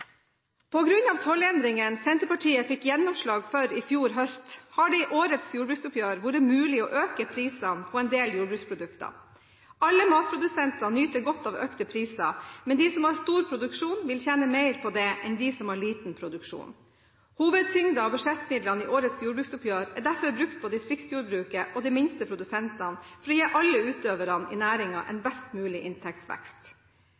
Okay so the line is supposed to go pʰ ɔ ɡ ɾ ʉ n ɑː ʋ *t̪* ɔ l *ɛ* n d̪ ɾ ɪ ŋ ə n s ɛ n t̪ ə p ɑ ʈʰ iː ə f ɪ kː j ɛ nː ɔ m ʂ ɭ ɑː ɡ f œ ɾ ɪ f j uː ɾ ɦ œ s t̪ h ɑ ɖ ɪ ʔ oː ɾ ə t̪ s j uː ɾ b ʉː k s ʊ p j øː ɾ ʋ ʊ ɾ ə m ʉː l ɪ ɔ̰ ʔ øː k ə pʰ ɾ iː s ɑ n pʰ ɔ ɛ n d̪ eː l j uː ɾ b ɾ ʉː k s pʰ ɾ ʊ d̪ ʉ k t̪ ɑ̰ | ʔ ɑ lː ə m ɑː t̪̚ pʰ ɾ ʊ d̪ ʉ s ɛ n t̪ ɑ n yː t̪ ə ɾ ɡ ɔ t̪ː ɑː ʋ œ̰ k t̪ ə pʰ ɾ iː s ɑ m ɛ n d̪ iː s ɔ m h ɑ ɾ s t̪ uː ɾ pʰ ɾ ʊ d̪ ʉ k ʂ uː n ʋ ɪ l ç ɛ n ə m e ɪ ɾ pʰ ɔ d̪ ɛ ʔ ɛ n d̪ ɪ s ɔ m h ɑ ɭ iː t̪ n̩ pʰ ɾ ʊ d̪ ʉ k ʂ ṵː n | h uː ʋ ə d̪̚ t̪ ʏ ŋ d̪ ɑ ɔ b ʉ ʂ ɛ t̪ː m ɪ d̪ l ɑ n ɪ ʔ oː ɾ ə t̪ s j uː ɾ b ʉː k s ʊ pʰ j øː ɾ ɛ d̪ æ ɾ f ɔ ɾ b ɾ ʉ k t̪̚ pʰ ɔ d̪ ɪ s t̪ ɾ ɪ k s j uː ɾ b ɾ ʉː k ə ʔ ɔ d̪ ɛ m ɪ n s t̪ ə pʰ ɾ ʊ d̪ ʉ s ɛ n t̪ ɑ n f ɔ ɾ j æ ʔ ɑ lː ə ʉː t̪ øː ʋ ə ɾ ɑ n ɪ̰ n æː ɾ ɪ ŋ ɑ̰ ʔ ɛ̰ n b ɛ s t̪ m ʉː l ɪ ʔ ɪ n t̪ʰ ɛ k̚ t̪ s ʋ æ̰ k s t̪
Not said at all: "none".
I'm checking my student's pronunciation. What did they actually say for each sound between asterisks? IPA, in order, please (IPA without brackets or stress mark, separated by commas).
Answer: t̪ʰ, ɛ